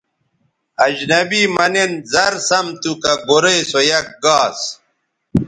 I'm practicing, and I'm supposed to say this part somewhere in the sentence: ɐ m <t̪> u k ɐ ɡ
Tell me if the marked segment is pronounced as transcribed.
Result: yes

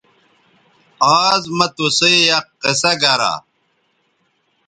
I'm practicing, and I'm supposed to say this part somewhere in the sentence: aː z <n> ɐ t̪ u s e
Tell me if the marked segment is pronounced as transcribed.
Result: no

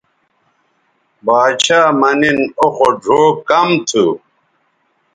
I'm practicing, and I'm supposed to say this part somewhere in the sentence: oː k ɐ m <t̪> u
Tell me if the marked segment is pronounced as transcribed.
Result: no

